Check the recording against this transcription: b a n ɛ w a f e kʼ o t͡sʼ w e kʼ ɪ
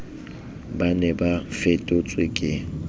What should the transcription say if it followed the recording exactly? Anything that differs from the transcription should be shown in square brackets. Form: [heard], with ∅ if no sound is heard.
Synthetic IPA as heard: b a n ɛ [b] a f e [tʼ] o t͡sʼ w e kʼ ɪ